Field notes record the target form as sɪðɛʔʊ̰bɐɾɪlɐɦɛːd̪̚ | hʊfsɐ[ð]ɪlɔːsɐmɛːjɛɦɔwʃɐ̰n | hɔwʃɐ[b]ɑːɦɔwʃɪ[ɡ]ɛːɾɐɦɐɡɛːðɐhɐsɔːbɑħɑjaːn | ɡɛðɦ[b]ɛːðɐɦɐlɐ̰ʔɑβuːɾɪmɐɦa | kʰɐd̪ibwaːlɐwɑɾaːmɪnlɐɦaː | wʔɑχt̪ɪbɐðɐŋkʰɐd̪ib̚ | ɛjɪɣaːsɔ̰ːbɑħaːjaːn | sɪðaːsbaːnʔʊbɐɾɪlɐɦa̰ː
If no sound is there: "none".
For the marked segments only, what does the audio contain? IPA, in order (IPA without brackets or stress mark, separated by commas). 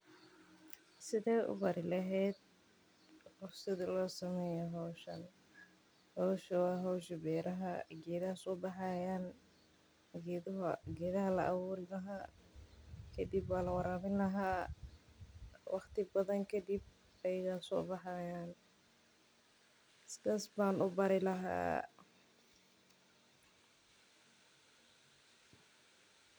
ð, w, b, ɡ